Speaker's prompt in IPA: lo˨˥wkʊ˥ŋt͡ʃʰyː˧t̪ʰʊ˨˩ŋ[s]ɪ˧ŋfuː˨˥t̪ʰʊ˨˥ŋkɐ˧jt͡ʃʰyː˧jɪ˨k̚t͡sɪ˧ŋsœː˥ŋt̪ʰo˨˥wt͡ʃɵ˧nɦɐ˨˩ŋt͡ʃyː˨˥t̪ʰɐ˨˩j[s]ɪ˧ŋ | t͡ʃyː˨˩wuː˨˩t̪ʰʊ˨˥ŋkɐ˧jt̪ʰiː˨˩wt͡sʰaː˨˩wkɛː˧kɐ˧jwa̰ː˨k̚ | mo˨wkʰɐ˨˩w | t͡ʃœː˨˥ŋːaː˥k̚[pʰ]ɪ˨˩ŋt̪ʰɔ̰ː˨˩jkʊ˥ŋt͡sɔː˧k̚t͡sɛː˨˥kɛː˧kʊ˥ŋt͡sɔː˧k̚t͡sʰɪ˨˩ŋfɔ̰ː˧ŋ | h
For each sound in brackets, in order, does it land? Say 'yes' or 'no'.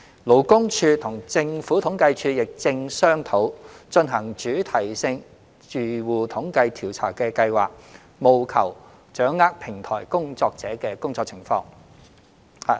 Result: no, yes, yes

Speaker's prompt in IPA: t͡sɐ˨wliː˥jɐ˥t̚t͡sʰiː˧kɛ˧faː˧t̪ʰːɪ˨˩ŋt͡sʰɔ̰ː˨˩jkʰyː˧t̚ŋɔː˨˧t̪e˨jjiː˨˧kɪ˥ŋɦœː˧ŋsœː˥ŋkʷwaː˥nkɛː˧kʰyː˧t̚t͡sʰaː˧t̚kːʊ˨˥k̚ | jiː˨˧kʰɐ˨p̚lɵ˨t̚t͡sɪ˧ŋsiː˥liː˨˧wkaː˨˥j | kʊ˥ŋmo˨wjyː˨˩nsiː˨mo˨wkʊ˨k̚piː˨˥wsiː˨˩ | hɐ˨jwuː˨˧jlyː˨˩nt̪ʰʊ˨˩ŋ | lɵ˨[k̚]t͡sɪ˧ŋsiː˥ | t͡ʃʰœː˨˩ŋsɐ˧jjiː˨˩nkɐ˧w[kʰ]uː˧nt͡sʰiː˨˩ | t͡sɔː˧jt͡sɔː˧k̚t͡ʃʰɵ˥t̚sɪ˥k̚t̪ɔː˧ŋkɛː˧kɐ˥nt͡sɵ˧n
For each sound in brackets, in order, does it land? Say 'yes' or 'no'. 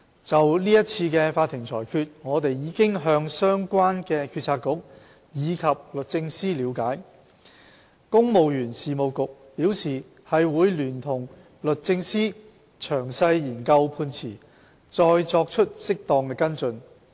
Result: no, no

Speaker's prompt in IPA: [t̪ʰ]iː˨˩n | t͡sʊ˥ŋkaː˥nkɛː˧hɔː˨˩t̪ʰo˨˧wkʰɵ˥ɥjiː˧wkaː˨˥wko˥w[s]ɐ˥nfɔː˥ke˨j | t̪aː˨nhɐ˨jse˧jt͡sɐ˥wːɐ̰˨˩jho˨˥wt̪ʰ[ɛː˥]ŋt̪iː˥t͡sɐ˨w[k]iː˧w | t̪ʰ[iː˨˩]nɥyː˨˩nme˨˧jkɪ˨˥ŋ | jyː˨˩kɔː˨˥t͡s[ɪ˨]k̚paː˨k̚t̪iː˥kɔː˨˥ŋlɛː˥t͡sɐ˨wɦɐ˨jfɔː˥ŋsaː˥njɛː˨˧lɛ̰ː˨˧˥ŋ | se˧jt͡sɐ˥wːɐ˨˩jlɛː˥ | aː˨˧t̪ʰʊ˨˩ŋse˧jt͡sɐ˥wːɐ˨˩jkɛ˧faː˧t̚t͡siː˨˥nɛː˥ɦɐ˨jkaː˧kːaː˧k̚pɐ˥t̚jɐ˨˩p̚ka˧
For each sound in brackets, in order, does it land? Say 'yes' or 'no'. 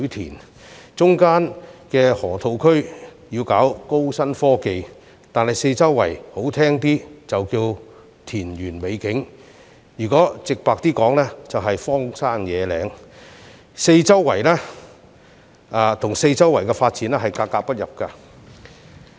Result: yes, yes, yes, yes, yes, yes

